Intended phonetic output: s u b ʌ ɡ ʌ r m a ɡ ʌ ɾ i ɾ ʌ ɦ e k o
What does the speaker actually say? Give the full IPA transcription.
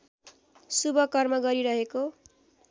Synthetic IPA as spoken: s u b ʌ k ʌ r m ʌ ɡ ʌ ɾ i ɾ ʌ ɦ e k o